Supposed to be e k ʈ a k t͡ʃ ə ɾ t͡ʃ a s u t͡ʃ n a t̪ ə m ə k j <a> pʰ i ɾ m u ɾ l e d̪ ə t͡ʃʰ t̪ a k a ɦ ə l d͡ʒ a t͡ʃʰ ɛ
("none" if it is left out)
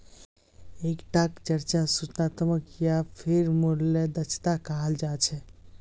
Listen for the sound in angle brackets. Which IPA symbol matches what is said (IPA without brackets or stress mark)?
a